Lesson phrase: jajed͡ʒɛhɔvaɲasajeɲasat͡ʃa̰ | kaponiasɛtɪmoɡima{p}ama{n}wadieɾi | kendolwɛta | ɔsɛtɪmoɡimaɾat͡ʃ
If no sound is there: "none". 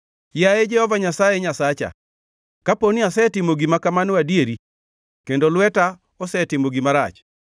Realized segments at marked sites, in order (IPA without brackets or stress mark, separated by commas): k, n